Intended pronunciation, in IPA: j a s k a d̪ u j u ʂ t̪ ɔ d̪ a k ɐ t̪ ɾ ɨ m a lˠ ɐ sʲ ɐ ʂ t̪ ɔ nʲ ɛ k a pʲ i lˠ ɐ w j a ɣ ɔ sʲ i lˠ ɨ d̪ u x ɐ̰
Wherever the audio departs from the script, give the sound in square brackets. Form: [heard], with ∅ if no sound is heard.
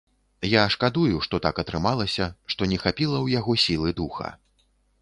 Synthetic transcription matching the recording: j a [ʂ] k a d̪ u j u ʂ t̪ ɔ [t̪] a k ɐ t̪ ɾ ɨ m a lˠ ɐ sʲ ɐ ʂ t̪ ɔ nʲ ɛ [x] a pʲ i lˠ ɐ w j a ɣ ɔ sʲ i lˠ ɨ d̪ u x ɐ̰